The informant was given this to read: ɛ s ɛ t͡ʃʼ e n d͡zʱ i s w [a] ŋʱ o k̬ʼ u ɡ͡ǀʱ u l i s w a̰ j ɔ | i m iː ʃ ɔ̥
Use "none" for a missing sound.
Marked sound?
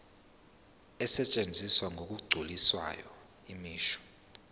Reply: a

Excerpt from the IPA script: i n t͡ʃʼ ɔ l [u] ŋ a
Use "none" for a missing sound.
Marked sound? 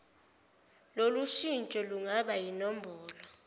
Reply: u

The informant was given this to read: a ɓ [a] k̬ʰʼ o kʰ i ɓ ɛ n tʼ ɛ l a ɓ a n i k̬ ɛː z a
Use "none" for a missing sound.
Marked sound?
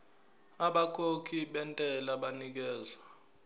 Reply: a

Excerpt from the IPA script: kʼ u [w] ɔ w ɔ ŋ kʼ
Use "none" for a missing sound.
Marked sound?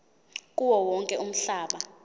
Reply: w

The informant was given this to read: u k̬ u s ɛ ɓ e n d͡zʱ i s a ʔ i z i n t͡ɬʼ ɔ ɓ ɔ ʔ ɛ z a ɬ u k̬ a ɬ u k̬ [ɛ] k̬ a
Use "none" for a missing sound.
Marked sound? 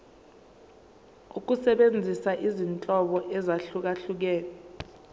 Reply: ɛː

